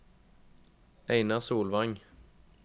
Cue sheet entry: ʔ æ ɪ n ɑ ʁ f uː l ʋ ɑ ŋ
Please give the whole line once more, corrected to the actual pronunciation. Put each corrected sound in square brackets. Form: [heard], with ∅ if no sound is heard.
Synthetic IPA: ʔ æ ɪ n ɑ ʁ [s] uː l ʋ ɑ ŋ